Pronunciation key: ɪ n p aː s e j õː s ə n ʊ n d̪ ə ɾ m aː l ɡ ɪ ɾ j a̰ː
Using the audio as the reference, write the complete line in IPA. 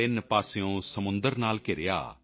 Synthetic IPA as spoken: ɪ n p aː s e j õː s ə m ʊ n d̪ ə ɾ n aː l k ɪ ɾ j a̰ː